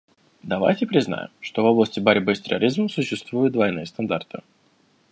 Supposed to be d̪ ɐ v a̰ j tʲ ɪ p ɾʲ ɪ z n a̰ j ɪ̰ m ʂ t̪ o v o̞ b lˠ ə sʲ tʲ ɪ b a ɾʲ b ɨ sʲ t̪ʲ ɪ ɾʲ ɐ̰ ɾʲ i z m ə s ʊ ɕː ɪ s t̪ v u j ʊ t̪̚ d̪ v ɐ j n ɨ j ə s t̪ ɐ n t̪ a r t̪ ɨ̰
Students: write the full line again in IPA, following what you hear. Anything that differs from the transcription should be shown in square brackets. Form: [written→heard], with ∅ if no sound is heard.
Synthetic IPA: d̪ ɐ v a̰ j tʲ ɪ p ɾʲ ɪ z n a̰ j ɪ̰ m ʂ t̪ o v o̞ b lˠ ə sʲ tʲ ɪ b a ɾʲ b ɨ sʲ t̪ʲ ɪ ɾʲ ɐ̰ ɾʲ i z m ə s ʊ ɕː ɪ s t̪ v u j ʊ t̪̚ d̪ v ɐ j n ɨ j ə s t̪ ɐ n [t̪→d̪] a r t̪ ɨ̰